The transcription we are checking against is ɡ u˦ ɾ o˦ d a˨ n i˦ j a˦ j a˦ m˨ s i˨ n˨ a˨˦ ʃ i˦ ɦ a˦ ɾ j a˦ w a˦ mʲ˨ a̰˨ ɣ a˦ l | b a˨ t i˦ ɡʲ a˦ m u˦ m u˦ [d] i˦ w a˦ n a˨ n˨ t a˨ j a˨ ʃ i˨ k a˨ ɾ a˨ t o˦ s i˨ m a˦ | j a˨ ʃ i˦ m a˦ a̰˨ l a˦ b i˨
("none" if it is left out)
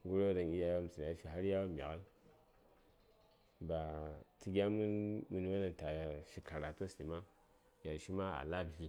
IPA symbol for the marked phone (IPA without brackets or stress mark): n